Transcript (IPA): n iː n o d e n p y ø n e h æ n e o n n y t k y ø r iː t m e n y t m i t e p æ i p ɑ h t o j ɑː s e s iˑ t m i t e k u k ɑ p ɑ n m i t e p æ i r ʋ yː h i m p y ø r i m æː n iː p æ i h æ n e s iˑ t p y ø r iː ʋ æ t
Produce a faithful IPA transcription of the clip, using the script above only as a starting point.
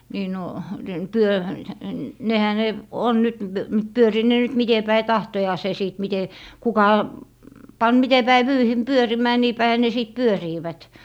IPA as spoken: n iː n o d e n p y ø n e h æ n e o n n y t p y ø r iː t n e n y t m i t e p æ i t ɑ h t o j ɑː s e s iˑ t m i t e k u k ɑ p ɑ n m i t e p æ i ʋ yː h i m p y ø r i m æː n iː p æ i h æ n e s iˑ t p y ø r iː ʋ æ t